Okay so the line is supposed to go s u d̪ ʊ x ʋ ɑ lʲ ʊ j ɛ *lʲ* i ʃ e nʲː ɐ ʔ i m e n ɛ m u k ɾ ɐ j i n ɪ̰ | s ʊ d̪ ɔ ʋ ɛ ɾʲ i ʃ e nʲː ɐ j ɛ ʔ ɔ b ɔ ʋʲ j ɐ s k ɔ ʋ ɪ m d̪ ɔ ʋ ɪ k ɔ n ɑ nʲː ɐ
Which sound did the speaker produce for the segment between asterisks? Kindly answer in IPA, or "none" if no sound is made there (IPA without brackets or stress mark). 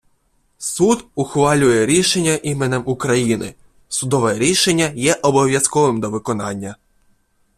ɾʲ